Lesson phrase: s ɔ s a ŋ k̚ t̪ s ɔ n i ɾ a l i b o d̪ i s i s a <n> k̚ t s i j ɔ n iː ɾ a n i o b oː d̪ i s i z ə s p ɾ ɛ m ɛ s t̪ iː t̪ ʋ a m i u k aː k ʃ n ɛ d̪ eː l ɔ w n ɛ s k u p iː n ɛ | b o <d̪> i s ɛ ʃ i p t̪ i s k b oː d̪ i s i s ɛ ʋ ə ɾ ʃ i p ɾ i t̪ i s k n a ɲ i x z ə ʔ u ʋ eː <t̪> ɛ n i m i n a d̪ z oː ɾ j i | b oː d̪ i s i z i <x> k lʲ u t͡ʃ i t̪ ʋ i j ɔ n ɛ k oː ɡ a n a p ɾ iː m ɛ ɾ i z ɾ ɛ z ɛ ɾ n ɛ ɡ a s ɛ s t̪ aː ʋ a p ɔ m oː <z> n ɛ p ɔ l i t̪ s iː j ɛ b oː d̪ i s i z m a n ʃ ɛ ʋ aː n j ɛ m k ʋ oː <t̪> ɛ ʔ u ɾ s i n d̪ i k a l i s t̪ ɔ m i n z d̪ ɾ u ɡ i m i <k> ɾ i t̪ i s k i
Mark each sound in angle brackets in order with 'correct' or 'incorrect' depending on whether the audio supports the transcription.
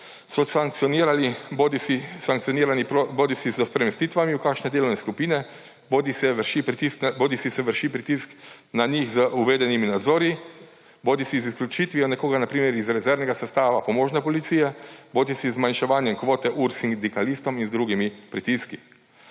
incorrect: ŋ, correct, incorrect: d̪, incorrect: s, incorrect: ʒ, correct, incorrect: p

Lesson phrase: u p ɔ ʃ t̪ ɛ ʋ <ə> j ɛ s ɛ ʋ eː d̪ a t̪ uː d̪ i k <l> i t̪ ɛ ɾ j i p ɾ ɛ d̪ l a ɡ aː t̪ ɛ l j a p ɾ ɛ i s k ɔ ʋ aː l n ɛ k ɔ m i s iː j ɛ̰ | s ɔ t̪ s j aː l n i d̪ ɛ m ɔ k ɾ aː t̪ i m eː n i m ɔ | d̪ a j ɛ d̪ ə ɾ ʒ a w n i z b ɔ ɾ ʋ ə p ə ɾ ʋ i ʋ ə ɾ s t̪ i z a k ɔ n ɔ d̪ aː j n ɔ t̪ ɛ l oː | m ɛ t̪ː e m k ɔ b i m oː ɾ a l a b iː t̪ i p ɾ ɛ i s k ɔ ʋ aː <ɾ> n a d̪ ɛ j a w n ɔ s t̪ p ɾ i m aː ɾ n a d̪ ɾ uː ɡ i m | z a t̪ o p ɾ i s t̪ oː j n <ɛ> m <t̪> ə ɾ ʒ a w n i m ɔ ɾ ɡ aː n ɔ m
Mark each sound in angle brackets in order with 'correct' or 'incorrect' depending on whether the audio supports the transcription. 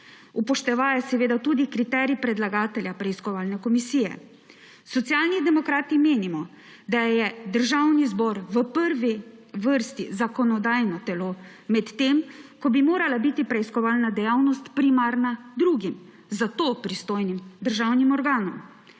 incorrect: a, incorrect: ɾ, incorrect: l, incorrect: i, incorrect: d̪

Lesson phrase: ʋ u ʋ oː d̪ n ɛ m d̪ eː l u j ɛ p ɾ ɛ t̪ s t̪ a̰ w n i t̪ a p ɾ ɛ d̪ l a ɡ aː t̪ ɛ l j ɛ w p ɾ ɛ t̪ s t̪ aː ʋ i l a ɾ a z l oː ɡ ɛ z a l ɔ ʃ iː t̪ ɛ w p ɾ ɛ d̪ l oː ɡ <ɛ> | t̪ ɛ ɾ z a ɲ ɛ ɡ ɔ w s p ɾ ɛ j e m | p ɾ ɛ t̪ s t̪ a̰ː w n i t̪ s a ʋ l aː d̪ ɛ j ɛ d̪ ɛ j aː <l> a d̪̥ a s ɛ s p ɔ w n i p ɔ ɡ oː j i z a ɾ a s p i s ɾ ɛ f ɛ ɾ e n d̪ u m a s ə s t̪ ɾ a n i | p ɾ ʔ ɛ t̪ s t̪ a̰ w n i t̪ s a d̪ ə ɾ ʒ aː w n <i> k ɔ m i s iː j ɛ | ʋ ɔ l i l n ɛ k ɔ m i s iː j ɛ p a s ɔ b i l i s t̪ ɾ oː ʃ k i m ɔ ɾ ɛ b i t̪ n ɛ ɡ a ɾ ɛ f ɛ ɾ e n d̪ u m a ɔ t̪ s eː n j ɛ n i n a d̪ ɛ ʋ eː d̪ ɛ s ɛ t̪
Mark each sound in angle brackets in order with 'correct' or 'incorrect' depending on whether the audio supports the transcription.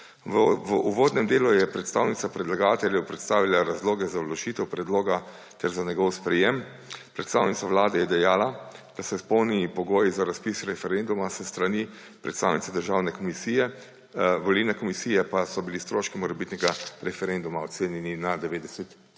incorrect: a, correct, incorrect: ɛ

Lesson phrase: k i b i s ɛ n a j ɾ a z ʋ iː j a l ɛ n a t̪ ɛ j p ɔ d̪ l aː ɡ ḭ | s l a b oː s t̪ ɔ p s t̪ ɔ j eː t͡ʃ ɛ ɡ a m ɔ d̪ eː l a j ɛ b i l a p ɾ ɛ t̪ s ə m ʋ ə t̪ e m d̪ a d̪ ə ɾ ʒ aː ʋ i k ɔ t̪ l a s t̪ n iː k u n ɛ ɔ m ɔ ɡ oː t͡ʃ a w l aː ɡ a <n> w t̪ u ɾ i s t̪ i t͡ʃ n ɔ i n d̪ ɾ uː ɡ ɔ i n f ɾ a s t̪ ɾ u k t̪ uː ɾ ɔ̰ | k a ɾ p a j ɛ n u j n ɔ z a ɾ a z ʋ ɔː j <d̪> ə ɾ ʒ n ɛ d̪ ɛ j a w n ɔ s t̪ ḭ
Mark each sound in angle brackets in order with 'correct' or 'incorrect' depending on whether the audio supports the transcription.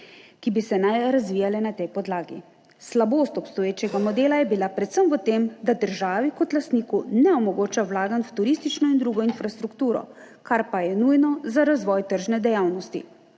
correct, incorrect: t̪

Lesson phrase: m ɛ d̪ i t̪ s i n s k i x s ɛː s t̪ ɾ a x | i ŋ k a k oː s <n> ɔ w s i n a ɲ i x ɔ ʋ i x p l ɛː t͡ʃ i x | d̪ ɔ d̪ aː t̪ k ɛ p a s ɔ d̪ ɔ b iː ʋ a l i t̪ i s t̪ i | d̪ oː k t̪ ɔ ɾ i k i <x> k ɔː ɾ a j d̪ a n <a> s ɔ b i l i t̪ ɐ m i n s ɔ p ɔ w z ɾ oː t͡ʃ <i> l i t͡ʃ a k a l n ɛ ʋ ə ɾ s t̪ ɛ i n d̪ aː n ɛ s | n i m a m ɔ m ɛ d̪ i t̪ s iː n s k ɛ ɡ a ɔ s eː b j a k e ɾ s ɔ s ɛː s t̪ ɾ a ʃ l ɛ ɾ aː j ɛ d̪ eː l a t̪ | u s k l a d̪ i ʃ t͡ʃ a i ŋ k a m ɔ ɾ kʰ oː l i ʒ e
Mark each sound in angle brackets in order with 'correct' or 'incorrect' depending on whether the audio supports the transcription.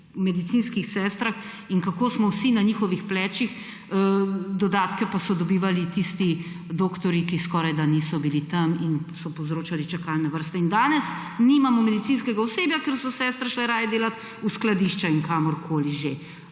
incorrect: m, incorrect: s, incorrect: i, incorrect: a

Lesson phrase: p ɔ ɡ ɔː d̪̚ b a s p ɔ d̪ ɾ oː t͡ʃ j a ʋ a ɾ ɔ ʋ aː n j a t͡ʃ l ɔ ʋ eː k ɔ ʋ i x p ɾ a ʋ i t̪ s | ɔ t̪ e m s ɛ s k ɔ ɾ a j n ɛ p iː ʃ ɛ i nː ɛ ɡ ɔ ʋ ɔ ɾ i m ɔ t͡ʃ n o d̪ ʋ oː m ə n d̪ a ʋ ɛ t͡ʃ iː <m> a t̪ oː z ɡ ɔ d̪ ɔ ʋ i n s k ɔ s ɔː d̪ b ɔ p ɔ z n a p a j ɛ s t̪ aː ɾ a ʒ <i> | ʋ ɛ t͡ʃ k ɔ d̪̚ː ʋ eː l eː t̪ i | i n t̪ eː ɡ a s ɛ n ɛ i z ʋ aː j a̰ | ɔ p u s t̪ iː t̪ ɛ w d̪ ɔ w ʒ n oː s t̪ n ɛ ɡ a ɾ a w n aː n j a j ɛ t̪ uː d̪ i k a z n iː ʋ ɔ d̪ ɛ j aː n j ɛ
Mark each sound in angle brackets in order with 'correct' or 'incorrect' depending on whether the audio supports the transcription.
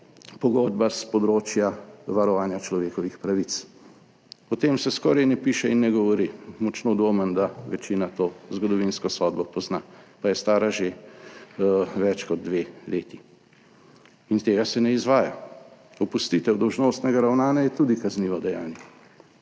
incorrect: n, incorrect: e

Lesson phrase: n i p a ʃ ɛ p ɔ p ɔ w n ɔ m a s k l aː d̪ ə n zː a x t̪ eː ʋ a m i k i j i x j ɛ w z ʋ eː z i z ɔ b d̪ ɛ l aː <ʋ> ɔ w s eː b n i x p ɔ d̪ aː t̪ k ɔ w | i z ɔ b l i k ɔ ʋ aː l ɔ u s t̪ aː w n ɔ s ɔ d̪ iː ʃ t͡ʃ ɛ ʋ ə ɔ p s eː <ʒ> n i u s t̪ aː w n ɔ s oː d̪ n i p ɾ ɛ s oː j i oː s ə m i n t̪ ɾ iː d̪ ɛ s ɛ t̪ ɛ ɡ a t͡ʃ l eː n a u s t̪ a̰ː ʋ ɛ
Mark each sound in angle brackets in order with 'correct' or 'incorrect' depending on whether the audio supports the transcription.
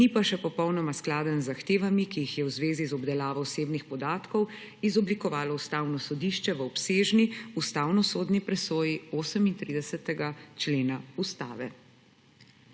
correct, correct

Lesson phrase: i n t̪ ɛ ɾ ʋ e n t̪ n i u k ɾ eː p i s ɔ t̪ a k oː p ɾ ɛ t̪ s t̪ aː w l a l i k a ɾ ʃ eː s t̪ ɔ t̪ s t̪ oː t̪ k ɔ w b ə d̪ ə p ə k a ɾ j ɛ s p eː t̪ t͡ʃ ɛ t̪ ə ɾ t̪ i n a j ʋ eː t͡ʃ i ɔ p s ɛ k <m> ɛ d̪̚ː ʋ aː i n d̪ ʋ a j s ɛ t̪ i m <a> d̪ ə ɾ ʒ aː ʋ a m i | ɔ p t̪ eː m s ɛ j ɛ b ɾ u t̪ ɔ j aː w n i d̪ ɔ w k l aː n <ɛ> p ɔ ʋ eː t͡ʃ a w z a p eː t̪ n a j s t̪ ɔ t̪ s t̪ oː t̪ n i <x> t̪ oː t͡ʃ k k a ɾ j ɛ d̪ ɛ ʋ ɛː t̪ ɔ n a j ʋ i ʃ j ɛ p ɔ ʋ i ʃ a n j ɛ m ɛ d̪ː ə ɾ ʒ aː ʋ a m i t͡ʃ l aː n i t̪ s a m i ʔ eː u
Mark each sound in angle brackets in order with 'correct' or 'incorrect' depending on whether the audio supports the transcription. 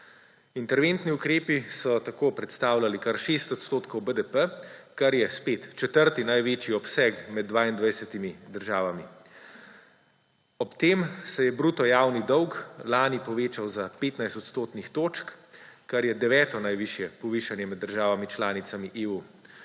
correct, incorrect: i, incorrect: i, correct

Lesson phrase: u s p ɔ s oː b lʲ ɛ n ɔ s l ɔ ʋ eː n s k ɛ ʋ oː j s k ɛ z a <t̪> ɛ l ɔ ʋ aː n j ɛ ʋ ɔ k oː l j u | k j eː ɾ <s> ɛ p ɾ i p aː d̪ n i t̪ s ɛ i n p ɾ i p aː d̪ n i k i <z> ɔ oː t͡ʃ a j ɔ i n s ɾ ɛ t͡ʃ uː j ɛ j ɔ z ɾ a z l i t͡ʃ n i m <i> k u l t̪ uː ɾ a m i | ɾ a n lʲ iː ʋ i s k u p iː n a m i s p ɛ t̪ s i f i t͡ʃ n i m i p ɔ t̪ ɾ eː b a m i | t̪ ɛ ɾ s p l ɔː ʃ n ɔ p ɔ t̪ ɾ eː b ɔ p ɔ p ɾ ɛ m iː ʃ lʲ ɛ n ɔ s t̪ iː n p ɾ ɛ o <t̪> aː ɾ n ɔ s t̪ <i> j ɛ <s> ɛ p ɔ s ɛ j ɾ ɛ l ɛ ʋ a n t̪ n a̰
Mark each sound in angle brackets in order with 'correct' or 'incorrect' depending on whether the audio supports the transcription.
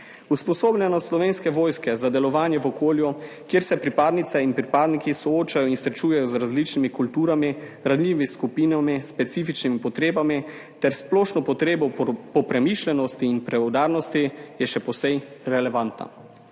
incorrect: d̪, correct, incorrect: s, correct, incorrect: d̪, correct, incorrect: ʃ

